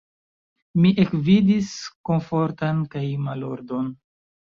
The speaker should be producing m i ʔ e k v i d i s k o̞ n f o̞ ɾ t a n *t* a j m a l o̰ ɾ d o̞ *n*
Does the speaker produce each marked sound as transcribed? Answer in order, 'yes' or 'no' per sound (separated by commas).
no, yes